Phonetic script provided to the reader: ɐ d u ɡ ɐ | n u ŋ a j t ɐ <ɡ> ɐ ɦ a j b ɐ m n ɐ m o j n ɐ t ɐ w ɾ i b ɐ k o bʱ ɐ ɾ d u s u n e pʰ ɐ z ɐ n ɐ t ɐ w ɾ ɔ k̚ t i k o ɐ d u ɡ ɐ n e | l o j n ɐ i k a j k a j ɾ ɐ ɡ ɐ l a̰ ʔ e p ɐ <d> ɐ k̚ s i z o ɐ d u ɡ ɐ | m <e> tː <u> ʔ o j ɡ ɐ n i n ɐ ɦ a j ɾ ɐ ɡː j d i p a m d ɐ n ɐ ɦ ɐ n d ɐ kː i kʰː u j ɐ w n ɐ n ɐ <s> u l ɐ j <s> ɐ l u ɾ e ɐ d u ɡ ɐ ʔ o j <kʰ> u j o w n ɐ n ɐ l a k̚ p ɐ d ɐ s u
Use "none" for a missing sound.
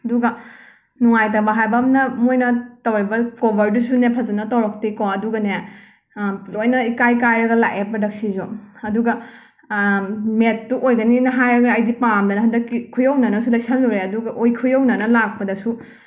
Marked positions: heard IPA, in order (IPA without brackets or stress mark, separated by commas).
b, d, e, u, s, s, kʰ